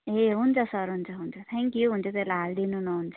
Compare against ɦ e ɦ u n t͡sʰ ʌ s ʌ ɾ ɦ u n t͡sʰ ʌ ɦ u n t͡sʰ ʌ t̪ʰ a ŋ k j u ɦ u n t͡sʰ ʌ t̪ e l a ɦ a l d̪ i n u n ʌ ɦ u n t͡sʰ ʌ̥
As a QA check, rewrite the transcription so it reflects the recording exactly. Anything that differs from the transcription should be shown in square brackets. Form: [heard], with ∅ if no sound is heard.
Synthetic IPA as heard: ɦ e ɦ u n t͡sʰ ʌ s ʌ ɾ ɦ u n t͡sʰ ʌ ɦ u n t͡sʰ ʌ t̪ʰ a ŋ k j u ɦ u n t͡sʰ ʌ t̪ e l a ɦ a l d̪ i n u n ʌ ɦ u n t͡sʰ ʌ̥

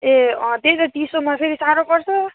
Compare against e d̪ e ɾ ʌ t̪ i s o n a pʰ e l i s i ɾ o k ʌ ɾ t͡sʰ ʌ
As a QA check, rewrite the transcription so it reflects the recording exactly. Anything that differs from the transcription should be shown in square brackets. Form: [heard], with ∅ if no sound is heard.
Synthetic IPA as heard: e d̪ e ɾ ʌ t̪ i s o [m] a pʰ e [ɾ] i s [a] ɾ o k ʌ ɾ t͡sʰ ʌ

